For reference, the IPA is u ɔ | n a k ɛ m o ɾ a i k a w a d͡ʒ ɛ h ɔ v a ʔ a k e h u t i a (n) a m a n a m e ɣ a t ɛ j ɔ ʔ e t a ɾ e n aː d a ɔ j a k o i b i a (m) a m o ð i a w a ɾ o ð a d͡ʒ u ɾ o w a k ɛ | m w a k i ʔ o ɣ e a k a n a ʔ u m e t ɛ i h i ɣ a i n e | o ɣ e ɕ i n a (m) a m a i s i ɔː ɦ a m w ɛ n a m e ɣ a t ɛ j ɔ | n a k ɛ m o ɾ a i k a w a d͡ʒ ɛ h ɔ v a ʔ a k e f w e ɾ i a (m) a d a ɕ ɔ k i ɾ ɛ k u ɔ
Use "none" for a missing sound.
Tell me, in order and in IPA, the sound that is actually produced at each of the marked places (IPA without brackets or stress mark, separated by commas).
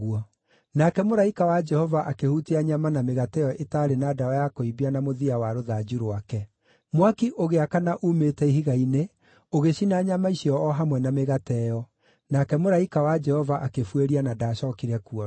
ɲ, n, ɲ, n